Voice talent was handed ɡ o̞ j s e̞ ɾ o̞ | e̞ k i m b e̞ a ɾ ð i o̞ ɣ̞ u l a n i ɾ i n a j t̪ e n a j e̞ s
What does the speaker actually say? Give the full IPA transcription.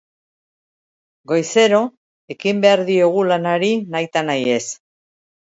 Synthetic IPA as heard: ɡ o̞ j s e̞ ɾ o̞ | e̞ k i m b e̞ a ɾ ð i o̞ ɣ̞ u l a n a ɾ i n a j t̪ a n a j e̞ s